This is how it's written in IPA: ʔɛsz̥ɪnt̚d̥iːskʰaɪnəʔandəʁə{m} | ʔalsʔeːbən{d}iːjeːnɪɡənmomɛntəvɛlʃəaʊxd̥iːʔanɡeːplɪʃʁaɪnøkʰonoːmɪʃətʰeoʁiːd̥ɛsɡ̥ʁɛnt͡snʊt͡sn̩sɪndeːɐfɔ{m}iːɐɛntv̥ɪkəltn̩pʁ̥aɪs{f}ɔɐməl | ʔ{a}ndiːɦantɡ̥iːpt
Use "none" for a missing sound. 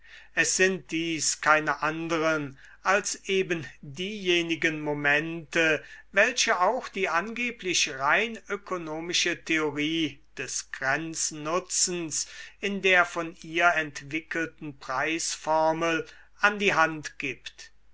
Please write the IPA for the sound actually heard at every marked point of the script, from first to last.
n, d, n, f, a

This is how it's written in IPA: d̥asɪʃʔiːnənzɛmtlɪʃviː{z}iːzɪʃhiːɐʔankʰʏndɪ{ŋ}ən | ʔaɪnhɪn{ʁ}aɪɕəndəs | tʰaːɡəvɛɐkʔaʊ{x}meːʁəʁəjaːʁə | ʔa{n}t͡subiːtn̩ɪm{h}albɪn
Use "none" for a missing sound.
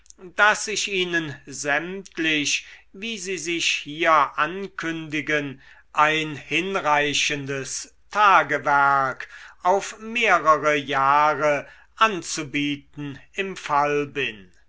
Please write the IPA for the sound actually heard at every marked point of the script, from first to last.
z, ɡ, ʁ, f, n, f

